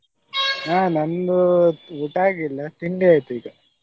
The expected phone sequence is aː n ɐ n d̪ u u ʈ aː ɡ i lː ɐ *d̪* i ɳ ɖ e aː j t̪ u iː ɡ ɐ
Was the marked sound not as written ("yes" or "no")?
yes